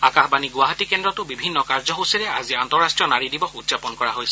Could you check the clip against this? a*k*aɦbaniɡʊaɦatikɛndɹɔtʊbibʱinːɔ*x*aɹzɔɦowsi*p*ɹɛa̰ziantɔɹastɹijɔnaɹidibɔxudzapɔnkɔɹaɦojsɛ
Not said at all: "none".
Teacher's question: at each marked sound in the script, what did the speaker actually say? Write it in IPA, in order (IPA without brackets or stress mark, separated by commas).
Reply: k, k, none